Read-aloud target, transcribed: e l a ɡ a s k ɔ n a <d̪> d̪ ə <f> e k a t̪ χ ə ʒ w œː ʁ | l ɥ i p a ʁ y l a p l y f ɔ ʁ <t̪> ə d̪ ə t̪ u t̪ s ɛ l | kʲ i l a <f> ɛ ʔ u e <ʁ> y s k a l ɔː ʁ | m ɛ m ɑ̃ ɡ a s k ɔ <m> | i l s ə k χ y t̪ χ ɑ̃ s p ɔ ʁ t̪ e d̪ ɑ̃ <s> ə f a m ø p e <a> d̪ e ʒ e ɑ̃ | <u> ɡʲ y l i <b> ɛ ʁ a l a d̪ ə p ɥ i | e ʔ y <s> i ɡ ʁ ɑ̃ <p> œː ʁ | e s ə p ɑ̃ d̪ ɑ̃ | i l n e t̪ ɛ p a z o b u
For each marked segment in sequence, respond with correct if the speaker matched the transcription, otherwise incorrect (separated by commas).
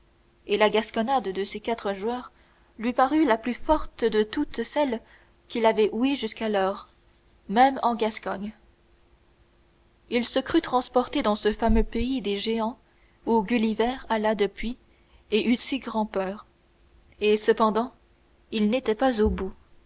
correct, incorrect, correct, incorrect, incorrect, incorrect, correct, incorrect, correct, incorrect, correct, correct